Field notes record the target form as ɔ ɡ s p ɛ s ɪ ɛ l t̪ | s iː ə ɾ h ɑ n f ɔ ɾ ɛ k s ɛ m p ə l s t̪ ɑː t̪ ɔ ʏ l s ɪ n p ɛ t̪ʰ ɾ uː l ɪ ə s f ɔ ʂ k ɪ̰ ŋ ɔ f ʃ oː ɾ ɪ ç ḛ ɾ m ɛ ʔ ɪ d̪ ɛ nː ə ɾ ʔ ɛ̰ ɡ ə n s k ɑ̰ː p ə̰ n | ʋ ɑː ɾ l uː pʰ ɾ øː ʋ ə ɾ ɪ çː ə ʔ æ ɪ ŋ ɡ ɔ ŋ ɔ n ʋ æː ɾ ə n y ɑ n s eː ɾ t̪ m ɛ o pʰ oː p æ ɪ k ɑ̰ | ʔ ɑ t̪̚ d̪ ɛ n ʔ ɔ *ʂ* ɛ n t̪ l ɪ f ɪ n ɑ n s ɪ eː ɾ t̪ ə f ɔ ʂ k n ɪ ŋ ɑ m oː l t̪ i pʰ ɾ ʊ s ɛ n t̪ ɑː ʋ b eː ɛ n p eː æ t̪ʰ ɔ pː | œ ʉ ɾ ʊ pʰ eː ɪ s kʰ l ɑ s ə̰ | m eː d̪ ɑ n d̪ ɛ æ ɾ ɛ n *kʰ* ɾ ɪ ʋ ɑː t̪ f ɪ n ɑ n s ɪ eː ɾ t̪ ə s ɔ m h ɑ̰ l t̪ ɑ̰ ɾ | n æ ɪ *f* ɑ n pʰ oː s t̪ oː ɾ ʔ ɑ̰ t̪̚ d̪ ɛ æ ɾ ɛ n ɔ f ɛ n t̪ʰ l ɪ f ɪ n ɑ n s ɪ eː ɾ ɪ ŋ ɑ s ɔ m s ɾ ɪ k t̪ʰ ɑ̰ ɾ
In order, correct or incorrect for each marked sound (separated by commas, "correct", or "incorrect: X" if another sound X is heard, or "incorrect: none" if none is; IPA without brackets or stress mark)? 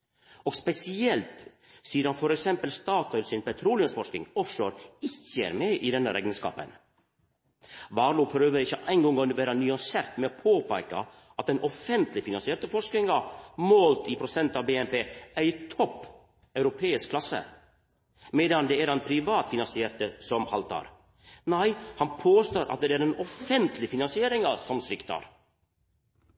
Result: incorrect: f, incorrect: pʰ, incorrect: h